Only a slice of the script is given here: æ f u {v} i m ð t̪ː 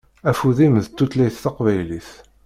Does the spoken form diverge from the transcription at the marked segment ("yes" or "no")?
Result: yes